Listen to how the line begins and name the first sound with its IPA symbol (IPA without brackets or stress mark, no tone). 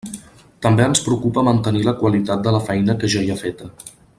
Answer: t̪